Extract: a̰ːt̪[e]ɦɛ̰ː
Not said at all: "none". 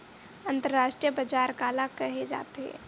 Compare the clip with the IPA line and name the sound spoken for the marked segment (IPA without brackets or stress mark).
e